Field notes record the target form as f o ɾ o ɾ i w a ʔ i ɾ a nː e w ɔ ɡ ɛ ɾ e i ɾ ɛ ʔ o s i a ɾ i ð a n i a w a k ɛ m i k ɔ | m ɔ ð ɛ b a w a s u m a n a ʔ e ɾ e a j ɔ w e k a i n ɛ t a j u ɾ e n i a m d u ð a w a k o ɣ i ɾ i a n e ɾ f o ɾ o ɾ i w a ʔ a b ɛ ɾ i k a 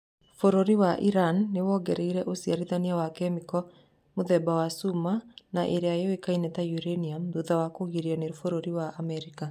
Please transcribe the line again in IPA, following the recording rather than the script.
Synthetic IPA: f o ɾ o ɾ i w a ʔ i ɾ a nː e w ɔ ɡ ɛ ɾ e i ɾ ɛ ʔ o s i a ɾ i ð a n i a w a k ɛ m i k ɔ | m o ð ɛ b a w a s u m a n a ʔ e ɾ e a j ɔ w e k a i n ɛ t a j u ɾ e n i a m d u ð a w a k o ɣ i ɾ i a n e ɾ f o ɾ o ɾ i w a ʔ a m ɛ ɾ i k a